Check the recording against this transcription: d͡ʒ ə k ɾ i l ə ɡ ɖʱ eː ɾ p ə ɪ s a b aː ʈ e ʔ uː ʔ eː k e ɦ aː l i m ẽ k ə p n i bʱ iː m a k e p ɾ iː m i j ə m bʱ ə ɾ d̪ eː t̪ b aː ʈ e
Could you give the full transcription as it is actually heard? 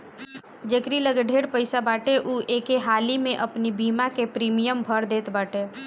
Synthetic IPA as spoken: d͡ʒ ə k ɾ i l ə ɡ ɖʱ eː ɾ p ə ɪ s a b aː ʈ e ʔ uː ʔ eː k e ɦ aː l i m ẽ ʔ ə p n i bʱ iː m a k e p ɾ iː m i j ə m bʱ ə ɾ d̪ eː t̪ b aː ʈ e